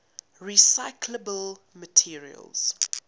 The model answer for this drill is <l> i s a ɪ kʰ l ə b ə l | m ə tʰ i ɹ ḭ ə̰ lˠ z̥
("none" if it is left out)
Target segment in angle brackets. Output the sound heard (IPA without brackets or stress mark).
ɹ